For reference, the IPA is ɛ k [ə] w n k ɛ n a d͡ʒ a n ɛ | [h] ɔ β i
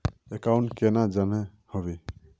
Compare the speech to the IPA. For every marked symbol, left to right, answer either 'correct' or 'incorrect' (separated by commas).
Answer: incorrect, correct